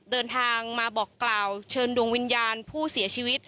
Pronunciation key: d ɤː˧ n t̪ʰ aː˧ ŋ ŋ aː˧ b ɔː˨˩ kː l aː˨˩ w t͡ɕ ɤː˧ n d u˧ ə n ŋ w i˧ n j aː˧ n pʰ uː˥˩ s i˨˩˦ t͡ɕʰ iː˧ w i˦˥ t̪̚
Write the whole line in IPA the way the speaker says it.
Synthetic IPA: d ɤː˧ n t̪ʰ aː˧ ŋ m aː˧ b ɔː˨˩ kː l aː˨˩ w t͡ɕʰ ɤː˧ n d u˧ ə ŋ w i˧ n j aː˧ n pʰ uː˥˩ s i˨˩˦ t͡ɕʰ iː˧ w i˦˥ t̪̚